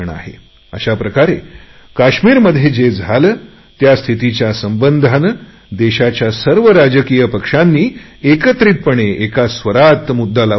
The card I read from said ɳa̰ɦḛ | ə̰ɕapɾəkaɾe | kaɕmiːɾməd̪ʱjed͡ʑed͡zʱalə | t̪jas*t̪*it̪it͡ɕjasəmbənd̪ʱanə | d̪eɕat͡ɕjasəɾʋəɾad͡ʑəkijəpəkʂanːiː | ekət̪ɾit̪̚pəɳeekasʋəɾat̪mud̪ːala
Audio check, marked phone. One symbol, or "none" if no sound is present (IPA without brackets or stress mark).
t̪ʰ